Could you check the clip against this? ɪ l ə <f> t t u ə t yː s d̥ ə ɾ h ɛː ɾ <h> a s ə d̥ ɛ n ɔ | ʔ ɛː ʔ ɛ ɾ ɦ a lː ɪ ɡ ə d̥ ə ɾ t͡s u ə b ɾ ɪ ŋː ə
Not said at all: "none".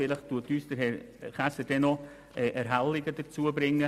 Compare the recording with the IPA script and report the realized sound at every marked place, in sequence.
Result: χ, χ

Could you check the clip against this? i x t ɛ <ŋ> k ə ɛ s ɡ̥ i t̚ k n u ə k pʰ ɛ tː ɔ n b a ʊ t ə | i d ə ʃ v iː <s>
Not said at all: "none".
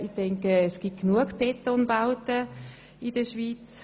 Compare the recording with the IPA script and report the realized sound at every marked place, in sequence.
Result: ŋ, t͡s

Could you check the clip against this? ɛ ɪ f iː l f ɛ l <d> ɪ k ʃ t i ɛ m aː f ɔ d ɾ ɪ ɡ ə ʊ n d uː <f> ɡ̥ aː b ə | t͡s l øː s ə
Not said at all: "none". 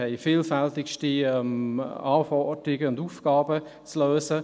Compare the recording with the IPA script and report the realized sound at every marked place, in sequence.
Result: t, f

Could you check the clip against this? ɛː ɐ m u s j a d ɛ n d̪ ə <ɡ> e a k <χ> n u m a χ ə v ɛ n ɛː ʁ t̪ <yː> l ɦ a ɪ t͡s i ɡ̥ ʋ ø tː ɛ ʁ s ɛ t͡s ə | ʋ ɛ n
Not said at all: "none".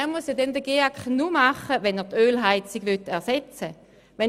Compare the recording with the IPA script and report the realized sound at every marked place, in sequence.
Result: ɡ, χ, øː

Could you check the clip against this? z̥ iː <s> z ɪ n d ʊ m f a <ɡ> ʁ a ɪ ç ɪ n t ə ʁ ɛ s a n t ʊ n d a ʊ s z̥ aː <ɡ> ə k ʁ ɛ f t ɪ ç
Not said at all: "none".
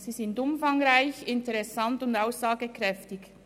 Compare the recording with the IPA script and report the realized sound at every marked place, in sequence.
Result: none, ŋ, ɡ

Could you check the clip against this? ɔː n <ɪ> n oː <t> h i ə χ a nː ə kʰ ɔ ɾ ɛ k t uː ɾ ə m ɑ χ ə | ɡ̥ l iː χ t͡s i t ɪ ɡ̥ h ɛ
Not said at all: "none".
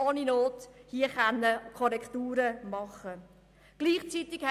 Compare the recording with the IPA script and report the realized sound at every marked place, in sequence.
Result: i, t

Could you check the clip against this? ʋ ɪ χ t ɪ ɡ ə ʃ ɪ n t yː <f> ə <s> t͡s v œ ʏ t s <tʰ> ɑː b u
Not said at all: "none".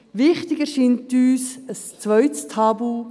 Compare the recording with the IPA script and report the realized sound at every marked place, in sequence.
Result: s, s, tʰ

